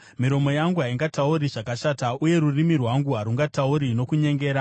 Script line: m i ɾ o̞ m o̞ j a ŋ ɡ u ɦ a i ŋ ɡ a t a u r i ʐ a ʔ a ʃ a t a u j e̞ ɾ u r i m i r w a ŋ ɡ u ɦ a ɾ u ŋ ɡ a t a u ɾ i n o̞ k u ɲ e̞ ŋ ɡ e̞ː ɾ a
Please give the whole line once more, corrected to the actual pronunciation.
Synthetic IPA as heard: m i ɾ o̞ m o̞ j a ŋ ɡ u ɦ a i ŋ ɡ a t a u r i ʐ a k a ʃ a t a u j e̞ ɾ u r i m i r w a ŋ ɡ u ɦ a ɾ u ŋ ɡ a t a u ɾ i n o̞ k u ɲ e̞ ŋ ɡ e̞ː ɾ a